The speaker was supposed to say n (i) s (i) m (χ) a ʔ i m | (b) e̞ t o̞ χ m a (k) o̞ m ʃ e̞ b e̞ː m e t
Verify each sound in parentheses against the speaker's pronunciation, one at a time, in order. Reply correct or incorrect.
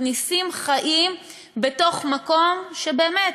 correct, correct, correct, correct, correct

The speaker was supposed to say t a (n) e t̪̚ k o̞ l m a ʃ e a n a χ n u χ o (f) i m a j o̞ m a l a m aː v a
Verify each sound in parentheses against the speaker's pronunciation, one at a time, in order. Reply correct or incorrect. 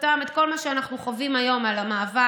incorrect: m, incorrect: v

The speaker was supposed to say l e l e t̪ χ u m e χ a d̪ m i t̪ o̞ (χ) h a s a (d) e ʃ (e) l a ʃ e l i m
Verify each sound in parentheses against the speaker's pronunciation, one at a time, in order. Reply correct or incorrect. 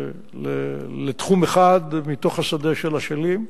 correct, correct, correct

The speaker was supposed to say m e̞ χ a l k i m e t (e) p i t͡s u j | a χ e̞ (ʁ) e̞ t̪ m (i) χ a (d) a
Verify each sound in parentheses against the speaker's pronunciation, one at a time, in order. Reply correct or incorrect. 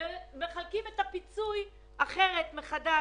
incorrect: a, correct, incorrect: e, correct

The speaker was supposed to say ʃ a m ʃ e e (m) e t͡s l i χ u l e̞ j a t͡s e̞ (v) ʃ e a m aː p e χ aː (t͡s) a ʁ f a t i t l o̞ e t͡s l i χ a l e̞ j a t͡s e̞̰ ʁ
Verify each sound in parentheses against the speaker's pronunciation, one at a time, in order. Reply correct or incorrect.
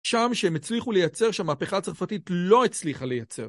correct, incorrect: ʁ, correct

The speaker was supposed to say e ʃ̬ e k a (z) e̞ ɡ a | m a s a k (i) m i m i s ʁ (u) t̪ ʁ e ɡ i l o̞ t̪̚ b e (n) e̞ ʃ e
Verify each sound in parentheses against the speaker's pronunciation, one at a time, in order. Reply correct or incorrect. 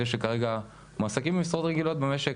incorrect: ʁ, correct, incorrect: o, incorrect: m

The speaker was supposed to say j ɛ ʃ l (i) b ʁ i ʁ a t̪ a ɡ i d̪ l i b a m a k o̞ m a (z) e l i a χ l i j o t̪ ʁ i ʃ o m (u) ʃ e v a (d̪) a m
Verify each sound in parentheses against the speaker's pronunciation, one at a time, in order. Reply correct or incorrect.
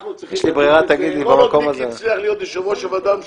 correct, correct, incorrect: o, correct

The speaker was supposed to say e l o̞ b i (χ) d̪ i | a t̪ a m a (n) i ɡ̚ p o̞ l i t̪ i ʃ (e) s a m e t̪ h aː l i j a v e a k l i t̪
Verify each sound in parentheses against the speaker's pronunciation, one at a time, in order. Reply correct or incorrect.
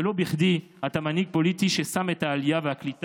correct, correct, correct

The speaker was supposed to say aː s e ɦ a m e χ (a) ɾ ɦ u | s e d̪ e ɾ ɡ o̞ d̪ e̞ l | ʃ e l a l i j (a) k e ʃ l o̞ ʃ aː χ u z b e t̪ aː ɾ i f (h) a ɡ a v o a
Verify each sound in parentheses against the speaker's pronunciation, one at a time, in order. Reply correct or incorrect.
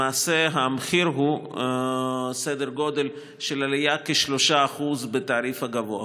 incorrect: i, correct, correct

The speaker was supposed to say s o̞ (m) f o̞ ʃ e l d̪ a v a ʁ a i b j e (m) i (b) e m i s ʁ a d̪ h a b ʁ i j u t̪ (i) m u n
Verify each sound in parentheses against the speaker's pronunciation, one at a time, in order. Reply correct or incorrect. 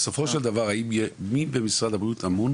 incorrect: none, correct, correct, incorrect: a

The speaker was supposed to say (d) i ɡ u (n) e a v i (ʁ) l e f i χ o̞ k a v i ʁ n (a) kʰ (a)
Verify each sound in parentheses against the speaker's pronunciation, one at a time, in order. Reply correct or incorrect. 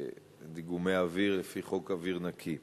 correct, incorrect: m, correct, correct, incorrect: i

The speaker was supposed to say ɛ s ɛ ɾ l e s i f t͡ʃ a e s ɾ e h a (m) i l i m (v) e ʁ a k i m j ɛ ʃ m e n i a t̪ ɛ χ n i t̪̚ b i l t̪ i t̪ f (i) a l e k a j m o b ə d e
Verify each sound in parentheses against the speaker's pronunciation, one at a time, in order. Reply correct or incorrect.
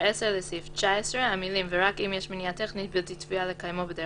correct, correct, correct

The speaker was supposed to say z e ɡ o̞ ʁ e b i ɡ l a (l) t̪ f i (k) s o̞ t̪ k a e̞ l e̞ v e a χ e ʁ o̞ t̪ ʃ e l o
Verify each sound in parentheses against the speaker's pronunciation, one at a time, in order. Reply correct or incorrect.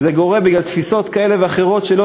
correct, incorrect: none

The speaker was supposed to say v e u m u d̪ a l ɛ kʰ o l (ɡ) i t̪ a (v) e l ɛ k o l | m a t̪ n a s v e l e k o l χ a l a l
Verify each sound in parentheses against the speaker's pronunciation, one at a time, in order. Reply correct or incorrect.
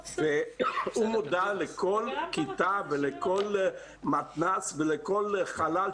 incorrect: k, correct

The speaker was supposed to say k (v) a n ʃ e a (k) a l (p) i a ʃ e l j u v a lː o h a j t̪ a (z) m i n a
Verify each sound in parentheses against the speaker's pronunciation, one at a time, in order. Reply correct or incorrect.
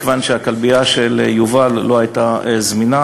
correct, correct, incorrect: b, correct

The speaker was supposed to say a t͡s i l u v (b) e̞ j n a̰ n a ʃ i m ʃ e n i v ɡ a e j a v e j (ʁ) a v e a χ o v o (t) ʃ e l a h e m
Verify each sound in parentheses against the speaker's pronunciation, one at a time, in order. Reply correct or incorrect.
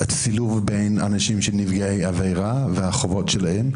correct, correct, correct

